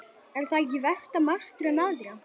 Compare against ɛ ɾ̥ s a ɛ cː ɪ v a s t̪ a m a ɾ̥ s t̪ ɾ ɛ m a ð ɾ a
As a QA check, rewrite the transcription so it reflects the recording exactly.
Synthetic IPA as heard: ɛ ɾ̥ θ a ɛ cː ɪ v ɛ s t̪ a m a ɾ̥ s t̪ ɾ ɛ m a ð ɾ a